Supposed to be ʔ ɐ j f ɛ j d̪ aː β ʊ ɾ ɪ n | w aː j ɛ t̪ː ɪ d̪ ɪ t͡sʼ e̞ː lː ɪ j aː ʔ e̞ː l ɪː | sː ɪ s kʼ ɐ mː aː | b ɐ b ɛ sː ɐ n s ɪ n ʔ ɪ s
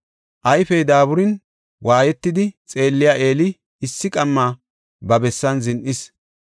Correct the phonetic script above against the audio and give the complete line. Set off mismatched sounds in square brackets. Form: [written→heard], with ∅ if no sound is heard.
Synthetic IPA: ʔ ɐ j f ɛ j d̪ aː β ʊ ɾ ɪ n | w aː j ɛ t̪ː ɪ d̪ ɪ t͡sʼ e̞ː lː ɪ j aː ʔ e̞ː l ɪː | sː ɪ [s→∅] kʼ ɐ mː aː | b ɐ b ɛ sː ɐ n [s→z] ɪ n ʔ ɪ s